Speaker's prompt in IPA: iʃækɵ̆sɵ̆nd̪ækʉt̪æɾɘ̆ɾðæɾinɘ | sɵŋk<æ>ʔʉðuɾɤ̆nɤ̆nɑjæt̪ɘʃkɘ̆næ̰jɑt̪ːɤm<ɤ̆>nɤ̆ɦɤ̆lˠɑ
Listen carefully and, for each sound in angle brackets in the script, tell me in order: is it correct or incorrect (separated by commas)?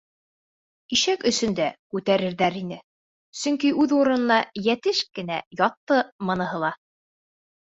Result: incorrect, correct